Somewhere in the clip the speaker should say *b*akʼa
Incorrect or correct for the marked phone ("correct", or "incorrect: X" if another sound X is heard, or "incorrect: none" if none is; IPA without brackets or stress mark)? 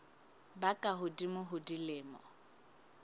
correct